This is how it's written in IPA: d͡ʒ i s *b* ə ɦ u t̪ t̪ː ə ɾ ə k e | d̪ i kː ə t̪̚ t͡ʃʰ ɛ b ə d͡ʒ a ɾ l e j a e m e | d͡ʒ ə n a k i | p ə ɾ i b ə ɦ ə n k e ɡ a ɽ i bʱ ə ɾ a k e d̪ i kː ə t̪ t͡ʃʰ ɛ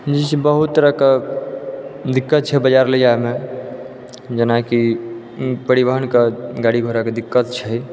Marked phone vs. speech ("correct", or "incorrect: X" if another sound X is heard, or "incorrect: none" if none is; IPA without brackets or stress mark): correct